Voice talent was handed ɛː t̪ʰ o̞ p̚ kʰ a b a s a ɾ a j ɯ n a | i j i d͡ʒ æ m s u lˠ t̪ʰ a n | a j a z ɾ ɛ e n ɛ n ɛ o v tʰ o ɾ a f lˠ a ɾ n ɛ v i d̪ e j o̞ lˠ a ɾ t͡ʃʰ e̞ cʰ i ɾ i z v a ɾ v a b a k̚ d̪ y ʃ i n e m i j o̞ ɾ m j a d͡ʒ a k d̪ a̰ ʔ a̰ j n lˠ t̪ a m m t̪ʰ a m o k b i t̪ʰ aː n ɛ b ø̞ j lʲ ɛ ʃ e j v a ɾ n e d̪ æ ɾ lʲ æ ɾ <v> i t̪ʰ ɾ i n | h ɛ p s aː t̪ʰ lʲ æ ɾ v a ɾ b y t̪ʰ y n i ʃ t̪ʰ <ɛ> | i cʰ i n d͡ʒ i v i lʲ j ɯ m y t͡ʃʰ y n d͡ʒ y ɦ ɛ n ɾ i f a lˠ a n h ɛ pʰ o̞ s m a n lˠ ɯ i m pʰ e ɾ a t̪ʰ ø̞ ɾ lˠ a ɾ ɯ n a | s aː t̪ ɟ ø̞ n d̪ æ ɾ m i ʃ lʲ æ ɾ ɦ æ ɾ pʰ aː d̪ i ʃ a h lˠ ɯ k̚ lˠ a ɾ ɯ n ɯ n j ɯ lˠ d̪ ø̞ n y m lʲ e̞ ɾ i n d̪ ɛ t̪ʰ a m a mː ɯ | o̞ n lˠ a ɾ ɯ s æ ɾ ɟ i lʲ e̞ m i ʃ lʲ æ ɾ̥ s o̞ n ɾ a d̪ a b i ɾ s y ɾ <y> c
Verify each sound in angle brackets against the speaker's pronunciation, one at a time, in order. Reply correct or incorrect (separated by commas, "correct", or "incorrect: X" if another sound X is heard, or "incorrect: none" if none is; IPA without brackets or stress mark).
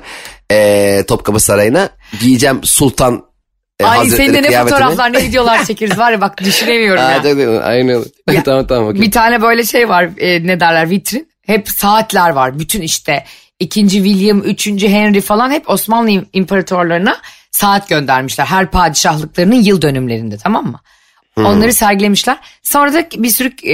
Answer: correct, correct, correct